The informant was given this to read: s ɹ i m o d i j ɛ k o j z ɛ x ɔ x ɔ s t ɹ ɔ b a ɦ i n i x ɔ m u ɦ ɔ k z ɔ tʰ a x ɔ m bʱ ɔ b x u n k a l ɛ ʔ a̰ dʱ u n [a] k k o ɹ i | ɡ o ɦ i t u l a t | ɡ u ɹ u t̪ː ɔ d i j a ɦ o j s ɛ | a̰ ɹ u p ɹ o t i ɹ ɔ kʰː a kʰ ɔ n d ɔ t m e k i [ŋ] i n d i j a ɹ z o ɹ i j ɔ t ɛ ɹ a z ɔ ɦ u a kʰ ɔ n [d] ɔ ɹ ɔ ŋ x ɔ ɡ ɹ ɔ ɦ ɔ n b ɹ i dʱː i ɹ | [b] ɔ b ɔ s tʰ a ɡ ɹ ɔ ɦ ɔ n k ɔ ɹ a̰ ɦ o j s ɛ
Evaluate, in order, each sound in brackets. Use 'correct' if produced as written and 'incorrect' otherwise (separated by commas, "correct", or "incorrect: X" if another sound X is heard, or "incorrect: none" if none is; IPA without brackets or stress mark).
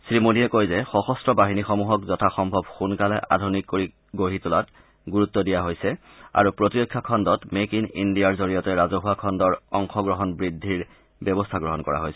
incorrect: i, incorrect: n, correct, correct